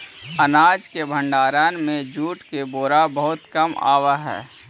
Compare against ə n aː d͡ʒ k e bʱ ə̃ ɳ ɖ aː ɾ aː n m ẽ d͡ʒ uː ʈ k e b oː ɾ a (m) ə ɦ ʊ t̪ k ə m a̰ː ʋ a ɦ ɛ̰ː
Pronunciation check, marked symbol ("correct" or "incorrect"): incorrect